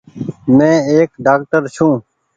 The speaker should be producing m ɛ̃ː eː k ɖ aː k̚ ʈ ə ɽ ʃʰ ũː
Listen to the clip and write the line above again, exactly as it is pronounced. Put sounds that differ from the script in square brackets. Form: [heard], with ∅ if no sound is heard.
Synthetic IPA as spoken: m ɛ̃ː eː k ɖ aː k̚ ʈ ə [ɾ] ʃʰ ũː